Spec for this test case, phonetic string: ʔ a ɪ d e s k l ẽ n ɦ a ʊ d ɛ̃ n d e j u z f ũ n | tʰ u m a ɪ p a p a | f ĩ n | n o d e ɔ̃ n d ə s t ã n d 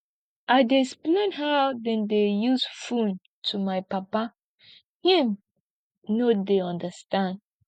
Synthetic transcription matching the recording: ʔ a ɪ d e s p l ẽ n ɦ a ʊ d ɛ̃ n d e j u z f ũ n | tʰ u m a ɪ p a p a | h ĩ m | n o d e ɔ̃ n d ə s t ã n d